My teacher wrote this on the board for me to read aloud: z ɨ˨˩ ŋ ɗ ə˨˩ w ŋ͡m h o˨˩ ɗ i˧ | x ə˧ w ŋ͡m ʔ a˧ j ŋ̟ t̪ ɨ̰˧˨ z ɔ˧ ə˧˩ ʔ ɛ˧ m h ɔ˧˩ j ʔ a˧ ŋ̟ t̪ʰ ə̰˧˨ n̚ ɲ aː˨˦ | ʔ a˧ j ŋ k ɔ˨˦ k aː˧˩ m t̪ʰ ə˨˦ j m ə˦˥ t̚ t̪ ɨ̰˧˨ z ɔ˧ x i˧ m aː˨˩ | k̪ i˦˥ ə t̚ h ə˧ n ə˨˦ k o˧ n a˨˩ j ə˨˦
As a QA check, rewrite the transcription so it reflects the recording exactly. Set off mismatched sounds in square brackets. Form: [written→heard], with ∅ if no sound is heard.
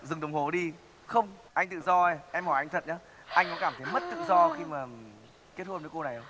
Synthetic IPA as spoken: z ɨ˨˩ ŋ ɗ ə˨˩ w ŋ͡m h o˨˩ ɗ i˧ | x ə˧ w ŋ͡m ʔ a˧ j ŋ̟ t̪ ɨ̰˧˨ z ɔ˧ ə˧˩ ʔ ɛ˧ m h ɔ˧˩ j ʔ a˧ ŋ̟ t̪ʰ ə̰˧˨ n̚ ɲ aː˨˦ | ʔ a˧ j ŋ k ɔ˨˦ k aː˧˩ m t̪ʰ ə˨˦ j m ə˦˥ t̚ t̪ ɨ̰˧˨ z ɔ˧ x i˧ m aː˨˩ | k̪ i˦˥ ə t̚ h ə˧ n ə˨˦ k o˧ n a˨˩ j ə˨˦